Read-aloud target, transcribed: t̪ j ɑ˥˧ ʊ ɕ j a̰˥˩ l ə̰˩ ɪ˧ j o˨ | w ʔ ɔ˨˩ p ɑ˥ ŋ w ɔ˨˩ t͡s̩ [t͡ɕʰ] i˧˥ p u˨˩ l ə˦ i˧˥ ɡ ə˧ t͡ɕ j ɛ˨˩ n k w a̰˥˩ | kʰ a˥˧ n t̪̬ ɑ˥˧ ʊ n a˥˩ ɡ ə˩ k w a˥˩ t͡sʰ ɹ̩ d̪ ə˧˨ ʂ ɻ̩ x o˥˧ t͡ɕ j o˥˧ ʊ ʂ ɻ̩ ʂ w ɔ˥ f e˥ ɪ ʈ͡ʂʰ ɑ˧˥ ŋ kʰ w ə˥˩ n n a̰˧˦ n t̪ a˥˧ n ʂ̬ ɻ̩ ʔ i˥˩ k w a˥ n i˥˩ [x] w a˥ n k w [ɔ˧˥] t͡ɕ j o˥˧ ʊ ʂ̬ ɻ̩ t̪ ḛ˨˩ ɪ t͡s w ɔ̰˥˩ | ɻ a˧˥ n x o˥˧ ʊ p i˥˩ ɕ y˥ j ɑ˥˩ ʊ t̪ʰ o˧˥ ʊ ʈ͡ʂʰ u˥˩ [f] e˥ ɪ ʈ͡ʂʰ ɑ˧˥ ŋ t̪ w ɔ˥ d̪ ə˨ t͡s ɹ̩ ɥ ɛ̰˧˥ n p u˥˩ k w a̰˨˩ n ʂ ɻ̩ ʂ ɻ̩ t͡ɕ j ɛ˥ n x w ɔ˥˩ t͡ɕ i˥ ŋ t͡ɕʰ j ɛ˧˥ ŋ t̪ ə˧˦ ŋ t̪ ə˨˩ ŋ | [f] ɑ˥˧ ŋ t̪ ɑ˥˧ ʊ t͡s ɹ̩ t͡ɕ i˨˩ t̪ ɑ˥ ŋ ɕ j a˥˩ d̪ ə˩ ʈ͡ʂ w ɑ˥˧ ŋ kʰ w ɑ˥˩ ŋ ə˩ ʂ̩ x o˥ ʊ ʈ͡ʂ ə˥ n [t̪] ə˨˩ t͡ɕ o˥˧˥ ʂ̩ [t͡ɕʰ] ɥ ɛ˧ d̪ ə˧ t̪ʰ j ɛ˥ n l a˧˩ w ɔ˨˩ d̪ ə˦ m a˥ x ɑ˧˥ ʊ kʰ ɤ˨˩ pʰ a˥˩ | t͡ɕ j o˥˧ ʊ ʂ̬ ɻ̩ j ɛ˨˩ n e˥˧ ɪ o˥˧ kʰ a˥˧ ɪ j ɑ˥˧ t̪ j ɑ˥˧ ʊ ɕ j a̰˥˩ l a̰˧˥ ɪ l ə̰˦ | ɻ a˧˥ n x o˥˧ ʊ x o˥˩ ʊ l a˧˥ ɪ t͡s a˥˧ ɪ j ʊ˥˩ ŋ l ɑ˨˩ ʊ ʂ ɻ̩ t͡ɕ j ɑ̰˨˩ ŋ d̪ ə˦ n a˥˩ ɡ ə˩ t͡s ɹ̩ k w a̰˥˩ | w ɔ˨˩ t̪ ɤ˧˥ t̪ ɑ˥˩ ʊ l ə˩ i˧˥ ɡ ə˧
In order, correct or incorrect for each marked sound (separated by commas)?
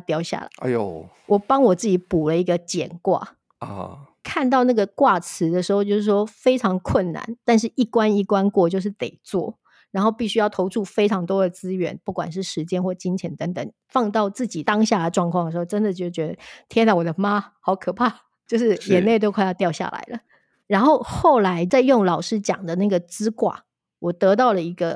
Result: incorrect, incorrect, incorrect, correct, correct, incorrect, incorrect